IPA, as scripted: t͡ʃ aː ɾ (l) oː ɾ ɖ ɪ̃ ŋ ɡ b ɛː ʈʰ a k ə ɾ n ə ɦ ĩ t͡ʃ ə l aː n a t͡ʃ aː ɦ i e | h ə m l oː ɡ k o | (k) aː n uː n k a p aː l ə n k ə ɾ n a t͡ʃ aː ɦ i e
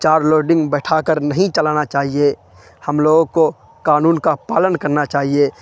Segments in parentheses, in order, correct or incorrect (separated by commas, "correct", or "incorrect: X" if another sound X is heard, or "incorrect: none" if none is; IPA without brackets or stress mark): correct, correct